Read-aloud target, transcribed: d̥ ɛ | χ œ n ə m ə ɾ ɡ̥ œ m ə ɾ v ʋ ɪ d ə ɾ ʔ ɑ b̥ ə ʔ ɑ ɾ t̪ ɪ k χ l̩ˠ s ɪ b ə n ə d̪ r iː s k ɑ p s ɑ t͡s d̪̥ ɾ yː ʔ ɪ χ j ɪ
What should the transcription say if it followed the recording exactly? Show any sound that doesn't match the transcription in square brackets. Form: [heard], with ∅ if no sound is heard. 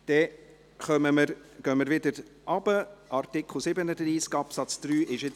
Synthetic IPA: d̥ ɛ | χ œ [m] ə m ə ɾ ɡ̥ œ m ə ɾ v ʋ ɪ d ə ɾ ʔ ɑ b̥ ə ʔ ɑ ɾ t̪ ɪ k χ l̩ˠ s ɪ b ə n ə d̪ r iː s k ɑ p s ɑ t͡s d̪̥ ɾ yː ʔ ɪ [ʃ] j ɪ